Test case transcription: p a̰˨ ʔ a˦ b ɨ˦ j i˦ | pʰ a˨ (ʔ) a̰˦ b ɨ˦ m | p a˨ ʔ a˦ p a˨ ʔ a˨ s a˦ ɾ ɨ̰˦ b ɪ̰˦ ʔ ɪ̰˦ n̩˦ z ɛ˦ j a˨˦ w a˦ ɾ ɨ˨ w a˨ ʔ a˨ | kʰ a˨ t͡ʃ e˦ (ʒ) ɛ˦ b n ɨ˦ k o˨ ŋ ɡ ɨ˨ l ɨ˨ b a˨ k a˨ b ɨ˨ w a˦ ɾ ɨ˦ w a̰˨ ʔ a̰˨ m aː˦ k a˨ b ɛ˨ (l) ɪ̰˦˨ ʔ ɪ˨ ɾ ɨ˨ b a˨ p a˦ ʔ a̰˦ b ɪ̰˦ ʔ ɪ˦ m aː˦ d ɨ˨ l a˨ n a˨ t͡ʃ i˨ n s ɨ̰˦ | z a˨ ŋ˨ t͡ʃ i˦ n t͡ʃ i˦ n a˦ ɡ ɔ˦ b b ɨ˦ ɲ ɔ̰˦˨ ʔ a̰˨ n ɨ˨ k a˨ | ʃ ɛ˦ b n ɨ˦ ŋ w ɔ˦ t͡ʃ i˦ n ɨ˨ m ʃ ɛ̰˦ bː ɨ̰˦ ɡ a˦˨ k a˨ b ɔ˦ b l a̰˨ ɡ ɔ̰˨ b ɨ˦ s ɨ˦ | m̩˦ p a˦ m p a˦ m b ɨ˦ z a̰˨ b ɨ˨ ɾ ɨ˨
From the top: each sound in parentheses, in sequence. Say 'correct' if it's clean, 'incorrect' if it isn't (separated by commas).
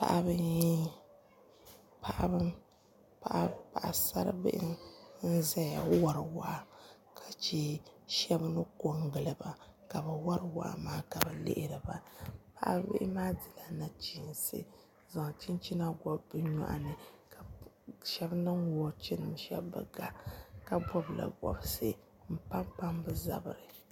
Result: correct, incorrect, correct